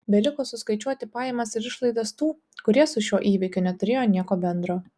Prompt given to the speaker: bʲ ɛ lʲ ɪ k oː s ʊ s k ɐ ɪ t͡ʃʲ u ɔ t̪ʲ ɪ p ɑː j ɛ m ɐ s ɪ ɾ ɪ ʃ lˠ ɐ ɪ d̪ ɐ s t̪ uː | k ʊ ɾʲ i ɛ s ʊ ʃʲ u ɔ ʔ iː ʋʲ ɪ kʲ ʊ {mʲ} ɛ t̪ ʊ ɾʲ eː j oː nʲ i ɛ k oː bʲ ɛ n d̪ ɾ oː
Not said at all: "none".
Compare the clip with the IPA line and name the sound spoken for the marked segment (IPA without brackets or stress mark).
nʲ